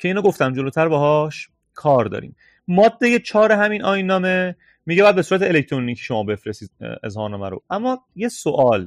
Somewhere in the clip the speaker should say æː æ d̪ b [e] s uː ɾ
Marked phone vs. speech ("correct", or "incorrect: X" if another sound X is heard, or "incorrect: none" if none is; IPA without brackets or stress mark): correct